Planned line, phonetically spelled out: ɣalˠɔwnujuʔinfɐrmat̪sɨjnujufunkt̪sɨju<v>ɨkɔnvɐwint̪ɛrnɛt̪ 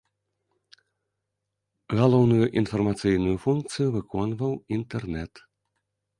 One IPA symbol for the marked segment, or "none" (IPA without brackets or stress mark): v